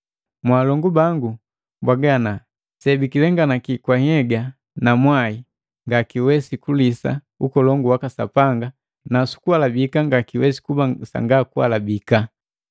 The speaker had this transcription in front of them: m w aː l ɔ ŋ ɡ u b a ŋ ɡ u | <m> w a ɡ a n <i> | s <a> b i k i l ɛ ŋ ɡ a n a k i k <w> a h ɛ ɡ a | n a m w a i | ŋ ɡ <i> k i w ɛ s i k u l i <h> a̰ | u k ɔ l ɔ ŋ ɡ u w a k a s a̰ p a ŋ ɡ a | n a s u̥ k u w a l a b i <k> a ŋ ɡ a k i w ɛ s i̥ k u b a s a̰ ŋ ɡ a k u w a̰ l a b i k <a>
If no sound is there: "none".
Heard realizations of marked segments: b, a, ɛ, w, a, s, k, a

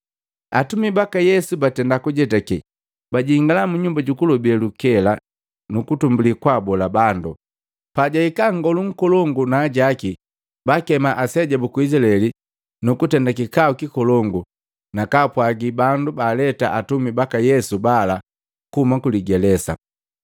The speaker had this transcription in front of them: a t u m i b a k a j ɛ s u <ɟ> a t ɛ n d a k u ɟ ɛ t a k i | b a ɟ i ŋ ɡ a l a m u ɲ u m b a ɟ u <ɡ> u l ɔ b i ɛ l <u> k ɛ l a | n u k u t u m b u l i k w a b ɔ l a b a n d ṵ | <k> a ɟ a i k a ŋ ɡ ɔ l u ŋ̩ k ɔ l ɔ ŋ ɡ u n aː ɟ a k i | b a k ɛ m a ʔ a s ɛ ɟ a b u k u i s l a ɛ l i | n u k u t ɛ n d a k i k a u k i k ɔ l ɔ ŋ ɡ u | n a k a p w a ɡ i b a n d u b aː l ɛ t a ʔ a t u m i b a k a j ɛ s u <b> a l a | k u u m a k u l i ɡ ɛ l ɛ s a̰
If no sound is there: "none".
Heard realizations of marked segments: b, k, u, p, b

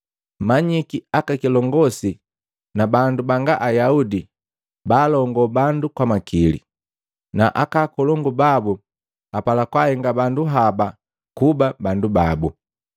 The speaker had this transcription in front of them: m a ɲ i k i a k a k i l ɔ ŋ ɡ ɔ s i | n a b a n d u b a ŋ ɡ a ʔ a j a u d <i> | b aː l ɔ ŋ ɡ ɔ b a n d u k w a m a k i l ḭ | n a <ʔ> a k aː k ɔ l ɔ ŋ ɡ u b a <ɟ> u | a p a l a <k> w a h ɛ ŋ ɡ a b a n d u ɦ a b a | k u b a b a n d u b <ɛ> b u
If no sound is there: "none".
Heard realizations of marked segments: i, ʔ, b, k, a

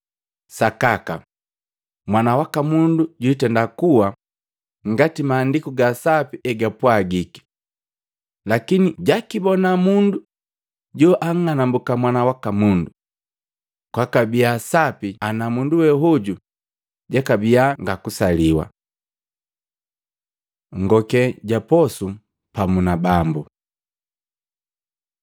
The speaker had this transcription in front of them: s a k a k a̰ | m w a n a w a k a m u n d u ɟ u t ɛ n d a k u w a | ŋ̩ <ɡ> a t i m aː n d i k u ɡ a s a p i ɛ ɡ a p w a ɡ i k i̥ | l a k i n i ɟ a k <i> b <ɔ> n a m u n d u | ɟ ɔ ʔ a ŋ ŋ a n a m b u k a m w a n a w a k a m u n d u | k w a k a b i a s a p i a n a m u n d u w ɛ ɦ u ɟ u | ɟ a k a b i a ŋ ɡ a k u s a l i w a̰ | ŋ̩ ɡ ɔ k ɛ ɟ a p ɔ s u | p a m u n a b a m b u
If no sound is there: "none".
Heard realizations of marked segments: ɡ, i, ɔ

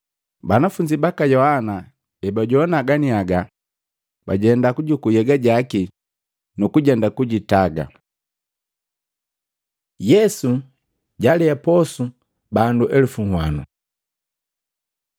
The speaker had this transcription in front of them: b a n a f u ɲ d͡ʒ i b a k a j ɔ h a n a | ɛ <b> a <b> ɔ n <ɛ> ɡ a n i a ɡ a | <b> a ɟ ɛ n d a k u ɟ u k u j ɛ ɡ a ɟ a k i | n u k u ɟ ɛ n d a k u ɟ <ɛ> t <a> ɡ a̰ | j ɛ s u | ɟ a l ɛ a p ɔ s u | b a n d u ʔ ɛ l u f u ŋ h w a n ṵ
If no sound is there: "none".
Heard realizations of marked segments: b, ɟ, a, b, i, a

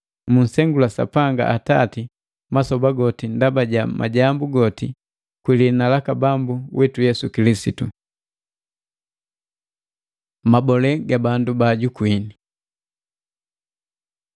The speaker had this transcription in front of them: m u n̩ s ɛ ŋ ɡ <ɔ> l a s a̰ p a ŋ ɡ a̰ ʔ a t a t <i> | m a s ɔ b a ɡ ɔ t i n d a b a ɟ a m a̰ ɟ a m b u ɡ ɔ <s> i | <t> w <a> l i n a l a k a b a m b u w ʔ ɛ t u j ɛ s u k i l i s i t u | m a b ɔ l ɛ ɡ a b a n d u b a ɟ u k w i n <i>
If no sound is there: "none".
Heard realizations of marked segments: u, i, t, k, i, i

